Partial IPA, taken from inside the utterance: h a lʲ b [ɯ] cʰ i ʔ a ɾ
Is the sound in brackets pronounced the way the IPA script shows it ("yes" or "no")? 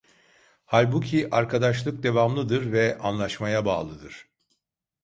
no